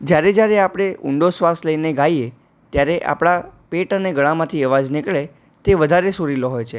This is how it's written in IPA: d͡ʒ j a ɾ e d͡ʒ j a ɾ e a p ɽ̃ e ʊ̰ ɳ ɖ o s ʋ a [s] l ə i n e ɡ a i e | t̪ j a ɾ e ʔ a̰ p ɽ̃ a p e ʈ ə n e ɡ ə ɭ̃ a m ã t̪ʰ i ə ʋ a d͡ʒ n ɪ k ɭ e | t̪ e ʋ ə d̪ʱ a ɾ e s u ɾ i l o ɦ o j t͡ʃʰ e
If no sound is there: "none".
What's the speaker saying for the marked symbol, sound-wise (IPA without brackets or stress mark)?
s